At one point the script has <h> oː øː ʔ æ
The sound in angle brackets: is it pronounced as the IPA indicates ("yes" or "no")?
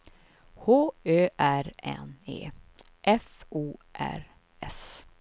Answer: yes